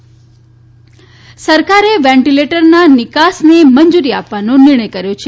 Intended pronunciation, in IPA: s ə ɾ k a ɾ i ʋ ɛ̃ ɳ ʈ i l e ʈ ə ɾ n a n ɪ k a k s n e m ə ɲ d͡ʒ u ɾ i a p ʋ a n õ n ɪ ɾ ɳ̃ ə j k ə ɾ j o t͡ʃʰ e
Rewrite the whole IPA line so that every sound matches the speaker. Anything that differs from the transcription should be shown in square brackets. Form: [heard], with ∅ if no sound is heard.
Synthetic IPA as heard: s ə ɾ k a ɾ [e] ʋ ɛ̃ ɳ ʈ i l e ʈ ə ɾ n a n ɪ k a [∅] s n e m ə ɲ d͡ʒ u ɾ i a p ʋ a n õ n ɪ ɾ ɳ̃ ə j k ə ɾ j o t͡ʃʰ e